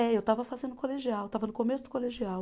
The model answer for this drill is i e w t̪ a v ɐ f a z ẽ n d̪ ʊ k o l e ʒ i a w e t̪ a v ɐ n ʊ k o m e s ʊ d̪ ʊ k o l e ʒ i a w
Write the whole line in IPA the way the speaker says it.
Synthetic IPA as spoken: ɛ e w t̪ a v ɐ f a z ẽ n d̪ ʊ k o l e ʒ i a w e t̪ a v ɐ n ʊ k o m e s ʊ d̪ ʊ k o l e ʒ i a w